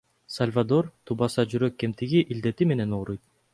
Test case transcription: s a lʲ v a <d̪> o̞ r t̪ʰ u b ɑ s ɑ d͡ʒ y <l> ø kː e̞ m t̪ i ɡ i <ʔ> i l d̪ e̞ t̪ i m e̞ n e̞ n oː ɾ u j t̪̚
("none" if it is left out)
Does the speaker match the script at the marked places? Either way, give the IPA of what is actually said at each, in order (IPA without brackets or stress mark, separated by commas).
d̪, ɾ, ʔ